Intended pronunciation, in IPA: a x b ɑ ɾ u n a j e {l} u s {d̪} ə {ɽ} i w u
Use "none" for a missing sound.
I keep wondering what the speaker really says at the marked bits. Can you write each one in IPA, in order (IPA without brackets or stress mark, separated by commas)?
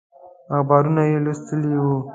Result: l, t̪, l